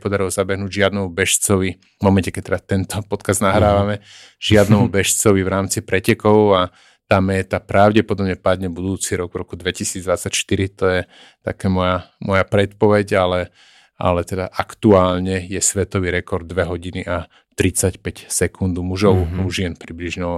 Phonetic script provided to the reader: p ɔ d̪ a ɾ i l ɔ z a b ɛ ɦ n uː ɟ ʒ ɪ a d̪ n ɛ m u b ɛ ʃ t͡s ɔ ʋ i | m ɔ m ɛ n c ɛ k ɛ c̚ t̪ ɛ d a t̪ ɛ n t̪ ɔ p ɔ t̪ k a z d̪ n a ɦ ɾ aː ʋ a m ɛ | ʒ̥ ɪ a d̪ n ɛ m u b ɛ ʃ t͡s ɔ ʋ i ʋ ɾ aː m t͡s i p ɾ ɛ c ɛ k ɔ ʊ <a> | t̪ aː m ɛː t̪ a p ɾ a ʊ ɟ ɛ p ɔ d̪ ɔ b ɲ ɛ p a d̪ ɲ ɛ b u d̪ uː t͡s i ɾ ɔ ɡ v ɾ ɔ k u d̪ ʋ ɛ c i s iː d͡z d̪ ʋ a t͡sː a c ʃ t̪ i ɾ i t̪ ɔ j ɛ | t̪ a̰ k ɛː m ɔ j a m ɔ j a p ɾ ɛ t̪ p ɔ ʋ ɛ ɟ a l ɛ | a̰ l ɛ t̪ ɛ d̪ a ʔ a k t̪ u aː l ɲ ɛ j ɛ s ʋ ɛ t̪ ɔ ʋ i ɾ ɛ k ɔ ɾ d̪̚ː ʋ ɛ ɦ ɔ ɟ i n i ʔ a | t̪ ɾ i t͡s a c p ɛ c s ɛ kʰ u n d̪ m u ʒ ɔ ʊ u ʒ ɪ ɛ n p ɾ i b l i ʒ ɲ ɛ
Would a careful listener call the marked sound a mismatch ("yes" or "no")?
no